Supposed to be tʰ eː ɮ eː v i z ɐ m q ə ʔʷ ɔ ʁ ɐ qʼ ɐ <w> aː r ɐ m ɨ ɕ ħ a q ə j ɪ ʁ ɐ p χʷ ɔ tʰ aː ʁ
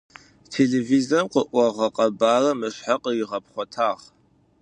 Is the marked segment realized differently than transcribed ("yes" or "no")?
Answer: yes